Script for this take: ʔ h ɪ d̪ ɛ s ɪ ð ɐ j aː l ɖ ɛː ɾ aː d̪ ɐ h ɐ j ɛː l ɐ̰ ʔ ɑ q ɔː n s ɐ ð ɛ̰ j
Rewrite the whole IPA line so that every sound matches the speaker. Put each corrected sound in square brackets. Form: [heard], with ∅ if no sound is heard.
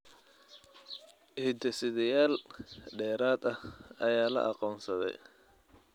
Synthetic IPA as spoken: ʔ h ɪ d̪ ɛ s ɪ ð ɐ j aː l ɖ ɛː ɾ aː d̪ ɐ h ɐ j [aː] l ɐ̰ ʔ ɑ q ɔː n s ɐ ð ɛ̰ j

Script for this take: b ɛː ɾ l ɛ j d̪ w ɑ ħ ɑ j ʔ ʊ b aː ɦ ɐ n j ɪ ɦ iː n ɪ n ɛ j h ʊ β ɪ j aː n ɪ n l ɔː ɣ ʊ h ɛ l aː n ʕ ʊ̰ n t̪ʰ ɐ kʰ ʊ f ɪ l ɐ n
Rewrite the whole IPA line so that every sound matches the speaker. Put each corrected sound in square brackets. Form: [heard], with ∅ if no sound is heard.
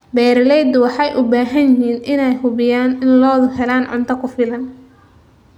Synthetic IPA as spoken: b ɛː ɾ l ɛ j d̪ w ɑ ħ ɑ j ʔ ʊ b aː ɦ ɐ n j ɪ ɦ iː n ɪ n ɛ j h ʊ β ɪ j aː n ɪ n l ɔː [ð] ʊ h ɛ l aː n ʕ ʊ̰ n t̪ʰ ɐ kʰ ʊ f ɪ l ɐ n

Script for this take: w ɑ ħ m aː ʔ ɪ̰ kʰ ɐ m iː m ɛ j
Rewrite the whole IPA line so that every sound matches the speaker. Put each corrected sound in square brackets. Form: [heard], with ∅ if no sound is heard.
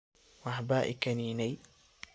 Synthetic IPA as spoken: w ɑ ħ [b] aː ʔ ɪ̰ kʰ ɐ [n] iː [n] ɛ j

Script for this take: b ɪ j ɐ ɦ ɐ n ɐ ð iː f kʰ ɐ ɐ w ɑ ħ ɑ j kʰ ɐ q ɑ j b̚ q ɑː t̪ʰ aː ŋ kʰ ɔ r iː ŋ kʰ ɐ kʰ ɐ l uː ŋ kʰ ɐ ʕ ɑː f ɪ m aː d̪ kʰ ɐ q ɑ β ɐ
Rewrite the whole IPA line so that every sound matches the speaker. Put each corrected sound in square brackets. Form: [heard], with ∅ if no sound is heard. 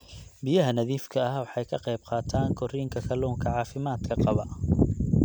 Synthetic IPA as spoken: b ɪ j ɐ ɦ ɐ n ɐ ð iː f kʰ ɐ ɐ w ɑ ħ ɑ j kʰ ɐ q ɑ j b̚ q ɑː t̪ʰ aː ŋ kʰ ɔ r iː ŋ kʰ ɐ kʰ ɐ l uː ŋ kʰ ɐ ʕ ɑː f ɪ m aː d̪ kʰ ɐ q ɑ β ɐ

